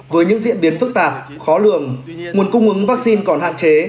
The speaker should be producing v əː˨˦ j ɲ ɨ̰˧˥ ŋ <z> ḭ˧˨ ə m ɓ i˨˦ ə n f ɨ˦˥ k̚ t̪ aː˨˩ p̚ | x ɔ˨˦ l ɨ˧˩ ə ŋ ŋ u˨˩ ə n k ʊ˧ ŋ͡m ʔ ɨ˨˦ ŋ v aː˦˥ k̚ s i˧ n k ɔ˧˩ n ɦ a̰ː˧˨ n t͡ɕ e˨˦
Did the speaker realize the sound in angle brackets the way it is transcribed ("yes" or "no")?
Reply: yes